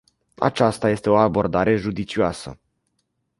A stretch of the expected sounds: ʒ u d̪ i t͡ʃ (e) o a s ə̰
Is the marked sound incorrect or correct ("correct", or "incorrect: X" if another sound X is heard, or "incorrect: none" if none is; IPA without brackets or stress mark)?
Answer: incorrect: i